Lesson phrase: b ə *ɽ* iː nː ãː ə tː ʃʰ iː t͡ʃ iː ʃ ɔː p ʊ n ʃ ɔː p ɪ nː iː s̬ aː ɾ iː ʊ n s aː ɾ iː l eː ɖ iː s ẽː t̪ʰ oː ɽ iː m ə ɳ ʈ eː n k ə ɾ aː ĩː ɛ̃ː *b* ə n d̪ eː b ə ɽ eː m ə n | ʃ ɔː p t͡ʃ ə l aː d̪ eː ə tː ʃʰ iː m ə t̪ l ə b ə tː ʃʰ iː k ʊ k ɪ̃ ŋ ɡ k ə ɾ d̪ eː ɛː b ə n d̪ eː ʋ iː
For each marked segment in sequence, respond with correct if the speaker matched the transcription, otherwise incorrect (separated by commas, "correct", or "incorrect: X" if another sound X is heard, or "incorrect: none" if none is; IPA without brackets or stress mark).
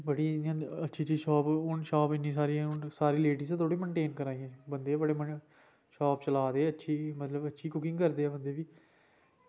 correct, correct